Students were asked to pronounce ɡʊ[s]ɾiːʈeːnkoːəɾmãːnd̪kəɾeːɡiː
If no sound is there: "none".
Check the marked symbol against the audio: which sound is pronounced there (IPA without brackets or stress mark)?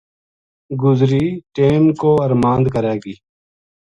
z